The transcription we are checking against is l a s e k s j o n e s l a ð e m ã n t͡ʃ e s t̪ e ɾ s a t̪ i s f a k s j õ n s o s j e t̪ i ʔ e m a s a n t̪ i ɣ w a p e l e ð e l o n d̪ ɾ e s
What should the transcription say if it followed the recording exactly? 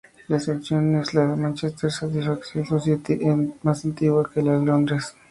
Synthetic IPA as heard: l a s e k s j o n e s l a ð e m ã n t͡ʃ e s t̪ e ɾ s a t̪ i s f a k s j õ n s o s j e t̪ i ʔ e m a s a n t̪ i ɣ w a k e l a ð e l o n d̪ ɾ e s